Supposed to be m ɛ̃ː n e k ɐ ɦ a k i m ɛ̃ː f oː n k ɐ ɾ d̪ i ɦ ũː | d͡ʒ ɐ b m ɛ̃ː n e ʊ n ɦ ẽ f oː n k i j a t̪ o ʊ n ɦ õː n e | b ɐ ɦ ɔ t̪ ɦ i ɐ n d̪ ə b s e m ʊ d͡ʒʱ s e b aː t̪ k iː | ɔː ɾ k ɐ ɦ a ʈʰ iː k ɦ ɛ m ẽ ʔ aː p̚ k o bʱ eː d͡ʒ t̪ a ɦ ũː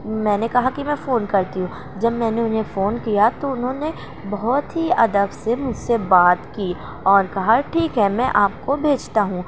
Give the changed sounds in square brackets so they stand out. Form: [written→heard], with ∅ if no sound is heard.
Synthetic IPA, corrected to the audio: m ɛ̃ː n e k ɐ ɦ a k i m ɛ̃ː f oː n k ɐ ɾ [d̪→t̪] i ɦ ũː | d͡ʒ ɐ b m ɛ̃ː n e ʊ n ɦ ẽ f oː n k i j a t̪ o ʊ n ɦ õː n e | b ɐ ɦ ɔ t̪ ɦ i ɐ [n→∅] d̪ ə b s e m ʊ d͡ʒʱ s e b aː t̪ k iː | ɔː ɾ k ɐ ɦ a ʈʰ iː k ɦ ɛ m [ẽ→ɛ̃] ʔ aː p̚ k o bʱ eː d͡ʒ t̪ a ɦ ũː